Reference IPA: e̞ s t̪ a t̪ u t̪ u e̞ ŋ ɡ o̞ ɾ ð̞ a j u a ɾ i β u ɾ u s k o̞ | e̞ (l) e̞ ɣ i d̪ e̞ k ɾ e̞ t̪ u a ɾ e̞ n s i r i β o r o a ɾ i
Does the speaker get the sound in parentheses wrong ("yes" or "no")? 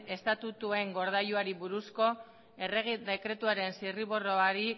yes